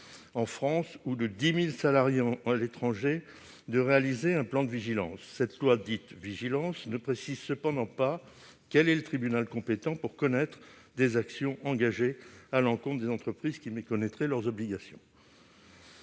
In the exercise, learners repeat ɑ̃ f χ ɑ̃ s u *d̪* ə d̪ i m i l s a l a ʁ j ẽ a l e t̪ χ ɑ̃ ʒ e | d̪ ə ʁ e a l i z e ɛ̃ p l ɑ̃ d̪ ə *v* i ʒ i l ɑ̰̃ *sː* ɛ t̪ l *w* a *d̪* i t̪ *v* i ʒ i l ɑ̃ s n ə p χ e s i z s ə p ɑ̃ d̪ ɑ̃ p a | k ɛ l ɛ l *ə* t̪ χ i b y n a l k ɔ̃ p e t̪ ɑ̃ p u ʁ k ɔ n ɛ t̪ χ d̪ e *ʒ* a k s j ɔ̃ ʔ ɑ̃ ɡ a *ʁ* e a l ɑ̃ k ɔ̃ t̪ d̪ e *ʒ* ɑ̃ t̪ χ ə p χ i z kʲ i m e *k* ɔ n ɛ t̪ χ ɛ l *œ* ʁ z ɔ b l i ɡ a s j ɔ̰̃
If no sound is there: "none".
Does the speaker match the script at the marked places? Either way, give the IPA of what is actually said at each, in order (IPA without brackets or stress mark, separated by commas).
d̪, v, sː, w, d̪, v, ə, z, ʒ, z, k, œ